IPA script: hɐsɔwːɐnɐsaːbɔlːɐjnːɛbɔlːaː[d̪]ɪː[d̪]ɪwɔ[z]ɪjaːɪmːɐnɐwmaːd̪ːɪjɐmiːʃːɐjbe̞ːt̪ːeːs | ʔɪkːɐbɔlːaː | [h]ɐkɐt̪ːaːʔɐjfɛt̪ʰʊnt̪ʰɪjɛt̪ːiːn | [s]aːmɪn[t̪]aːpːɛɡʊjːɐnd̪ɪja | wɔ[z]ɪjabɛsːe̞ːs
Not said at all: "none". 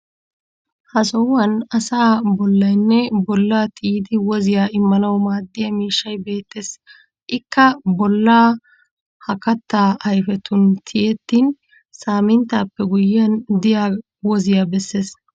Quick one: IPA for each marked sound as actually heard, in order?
t̪, d̪, z, h, s, t̪, z

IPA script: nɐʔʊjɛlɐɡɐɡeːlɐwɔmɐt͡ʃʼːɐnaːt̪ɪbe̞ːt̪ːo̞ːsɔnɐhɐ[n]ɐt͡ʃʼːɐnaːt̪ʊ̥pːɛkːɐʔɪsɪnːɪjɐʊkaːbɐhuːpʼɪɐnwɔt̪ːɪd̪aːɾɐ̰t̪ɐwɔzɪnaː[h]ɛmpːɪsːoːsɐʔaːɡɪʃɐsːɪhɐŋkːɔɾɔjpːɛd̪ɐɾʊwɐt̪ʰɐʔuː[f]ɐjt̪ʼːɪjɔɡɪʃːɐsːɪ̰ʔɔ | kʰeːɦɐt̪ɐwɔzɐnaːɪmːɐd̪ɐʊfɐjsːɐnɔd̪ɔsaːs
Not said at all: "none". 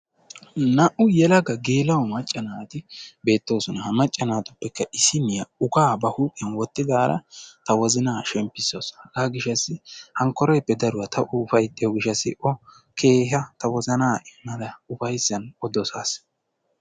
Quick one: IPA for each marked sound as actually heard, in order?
m, ʃ, f

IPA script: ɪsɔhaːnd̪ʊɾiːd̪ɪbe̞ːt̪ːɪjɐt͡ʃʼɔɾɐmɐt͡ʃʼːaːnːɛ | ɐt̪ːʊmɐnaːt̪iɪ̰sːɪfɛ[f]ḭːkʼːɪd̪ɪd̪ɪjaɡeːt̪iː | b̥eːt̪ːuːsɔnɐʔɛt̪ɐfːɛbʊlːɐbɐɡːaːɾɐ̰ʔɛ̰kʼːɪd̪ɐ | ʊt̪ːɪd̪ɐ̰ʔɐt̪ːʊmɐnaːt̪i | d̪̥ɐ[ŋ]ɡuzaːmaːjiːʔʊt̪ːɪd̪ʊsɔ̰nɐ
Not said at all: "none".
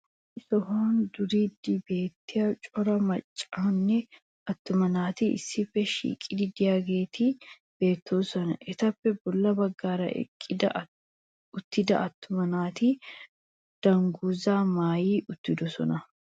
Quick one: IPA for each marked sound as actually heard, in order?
ʃ, ŋ

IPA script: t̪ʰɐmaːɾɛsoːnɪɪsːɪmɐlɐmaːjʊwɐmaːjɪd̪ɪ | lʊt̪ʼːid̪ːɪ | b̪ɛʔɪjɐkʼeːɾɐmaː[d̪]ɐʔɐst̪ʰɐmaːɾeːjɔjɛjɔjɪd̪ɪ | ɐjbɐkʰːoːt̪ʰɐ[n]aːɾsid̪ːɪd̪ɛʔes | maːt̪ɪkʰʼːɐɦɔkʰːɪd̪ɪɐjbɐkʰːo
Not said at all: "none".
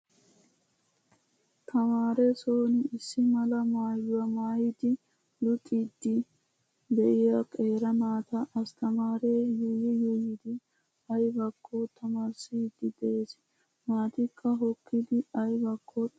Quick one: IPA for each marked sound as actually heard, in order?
t̪, m

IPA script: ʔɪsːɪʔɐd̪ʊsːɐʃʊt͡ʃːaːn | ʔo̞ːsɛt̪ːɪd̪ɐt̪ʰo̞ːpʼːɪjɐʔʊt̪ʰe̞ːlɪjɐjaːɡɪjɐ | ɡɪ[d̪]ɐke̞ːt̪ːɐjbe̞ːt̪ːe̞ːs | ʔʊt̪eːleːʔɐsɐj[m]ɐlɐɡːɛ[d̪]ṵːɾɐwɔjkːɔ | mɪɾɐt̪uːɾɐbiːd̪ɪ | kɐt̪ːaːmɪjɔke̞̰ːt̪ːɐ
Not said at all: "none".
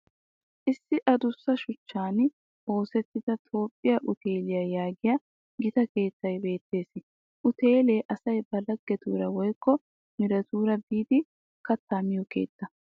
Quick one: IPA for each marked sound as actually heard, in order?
t̪, b, t̪

